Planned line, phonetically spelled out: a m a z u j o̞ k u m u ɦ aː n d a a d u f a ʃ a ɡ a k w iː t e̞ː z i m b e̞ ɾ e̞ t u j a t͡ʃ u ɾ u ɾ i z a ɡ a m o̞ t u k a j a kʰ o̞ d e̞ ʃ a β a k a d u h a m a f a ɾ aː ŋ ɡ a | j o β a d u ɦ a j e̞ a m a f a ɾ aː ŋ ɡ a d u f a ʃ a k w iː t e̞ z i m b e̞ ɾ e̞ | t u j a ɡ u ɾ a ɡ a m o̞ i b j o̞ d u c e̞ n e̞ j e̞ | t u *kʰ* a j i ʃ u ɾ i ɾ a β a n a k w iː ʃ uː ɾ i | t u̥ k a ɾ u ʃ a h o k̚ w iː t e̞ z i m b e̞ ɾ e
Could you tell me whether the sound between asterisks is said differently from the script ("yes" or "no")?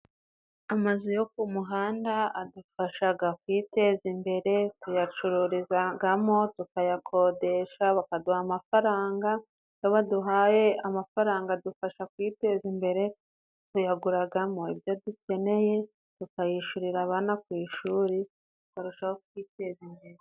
yes